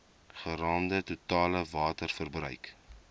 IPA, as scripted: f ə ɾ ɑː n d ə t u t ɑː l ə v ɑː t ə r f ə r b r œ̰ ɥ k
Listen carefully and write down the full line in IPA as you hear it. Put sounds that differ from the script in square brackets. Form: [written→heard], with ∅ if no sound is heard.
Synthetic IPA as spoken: [f→χ] ə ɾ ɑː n d ə t u t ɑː l ə v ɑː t ə r f ə r b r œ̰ ɥ k